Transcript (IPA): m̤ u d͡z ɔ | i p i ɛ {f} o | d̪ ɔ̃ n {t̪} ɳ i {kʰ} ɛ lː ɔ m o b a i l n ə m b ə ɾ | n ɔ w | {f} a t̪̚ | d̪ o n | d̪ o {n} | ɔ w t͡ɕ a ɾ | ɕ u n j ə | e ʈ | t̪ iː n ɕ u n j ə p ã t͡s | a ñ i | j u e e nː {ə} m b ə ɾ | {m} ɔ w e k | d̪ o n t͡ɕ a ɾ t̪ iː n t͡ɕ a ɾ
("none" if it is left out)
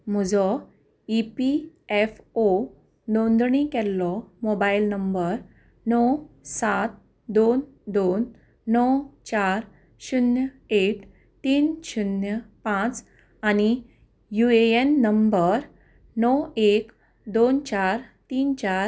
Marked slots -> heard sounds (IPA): f, d̪, k, s, nː, ə, n

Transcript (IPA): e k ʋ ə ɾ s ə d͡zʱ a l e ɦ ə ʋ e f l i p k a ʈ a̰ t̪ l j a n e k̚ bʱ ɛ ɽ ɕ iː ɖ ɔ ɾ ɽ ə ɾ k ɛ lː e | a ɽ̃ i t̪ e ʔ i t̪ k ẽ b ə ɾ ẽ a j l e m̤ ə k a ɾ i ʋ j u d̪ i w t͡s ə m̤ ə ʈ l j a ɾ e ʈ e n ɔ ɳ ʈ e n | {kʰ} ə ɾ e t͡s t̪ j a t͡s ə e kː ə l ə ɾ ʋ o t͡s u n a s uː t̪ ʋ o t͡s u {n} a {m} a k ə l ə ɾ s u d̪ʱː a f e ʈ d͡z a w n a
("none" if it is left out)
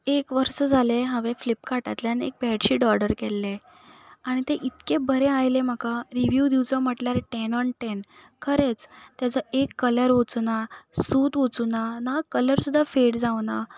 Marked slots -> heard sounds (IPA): kʰ, n, n

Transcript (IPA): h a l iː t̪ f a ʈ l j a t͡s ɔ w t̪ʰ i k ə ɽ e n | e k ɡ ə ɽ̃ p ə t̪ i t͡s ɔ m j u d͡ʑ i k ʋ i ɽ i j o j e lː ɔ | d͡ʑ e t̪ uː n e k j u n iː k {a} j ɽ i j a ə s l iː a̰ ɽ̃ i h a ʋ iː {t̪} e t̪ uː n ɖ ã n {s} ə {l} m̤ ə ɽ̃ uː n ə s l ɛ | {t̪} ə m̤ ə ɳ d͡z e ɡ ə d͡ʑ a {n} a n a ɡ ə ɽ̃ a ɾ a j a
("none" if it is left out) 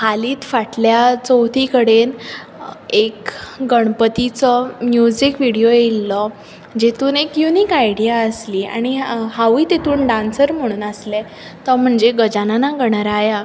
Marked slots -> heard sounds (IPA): a, t̪, s, ɾ, t̪, n

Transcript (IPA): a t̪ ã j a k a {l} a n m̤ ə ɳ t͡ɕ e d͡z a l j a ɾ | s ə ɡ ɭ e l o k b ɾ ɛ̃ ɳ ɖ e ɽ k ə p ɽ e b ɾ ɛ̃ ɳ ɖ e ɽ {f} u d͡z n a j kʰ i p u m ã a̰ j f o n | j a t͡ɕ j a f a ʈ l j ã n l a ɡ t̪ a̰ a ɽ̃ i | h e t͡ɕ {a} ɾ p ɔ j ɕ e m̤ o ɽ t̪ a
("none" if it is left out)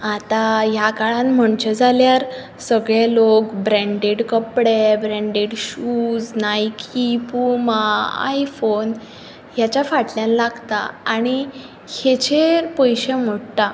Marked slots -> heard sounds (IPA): ɭ, ɕ, e

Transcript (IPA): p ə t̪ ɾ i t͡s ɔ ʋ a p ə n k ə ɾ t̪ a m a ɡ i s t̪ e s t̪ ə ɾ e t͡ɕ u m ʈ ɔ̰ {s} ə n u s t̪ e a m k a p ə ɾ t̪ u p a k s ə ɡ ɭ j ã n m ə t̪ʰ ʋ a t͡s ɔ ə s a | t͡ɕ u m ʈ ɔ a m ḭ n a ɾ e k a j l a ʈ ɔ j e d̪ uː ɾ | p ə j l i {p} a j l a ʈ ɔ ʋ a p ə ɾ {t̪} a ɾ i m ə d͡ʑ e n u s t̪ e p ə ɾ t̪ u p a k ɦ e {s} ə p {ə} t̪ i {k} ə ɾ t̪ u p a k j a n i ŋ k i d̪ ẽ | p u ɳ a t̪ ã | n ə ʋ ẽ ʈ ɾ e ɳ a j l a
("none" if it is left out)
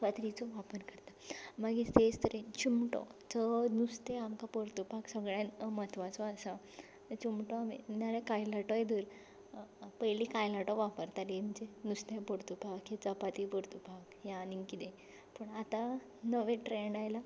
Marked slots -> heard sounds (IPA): t͡s, k, t̪, t͡s, a, p

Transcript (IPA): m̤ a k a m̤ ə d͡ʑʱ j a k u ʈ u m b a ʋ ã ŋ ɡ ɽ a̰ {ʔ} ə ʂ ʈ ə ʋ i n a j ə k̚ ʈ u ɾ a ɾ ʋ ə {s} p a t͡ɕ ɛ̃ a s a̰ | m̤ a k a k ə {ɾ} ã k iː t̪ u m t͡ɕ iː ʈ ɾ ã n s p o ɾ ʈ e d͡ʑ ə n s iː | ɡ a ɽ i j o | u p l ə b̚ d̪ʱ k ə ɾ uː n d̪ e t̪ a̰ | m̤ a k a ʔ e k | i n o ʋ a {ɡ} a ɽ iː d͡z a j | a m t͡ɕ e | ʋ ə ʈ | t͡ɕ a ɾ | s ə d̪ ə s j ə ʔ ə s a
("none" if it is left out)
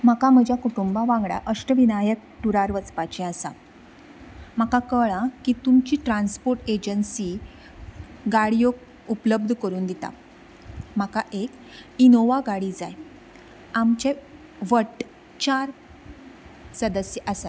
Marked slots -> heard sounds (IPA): ʔ, t͡s, ɭ, ɡ

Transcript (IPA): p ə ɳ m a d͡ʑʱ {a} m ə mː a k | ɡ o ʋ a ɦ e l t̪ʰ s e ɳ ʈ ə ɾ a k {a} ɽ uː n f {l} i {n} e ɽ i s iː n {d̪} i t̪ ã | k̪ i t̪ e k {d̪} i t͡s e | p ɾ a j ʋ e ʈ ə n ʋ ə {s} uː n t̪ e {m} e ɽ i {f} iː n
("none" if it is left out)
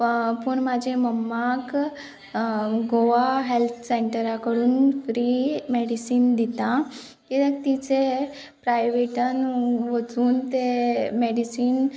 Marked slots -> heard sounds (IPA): e, ə, ɾ, m, d̪, t̪, t͡s, m, s

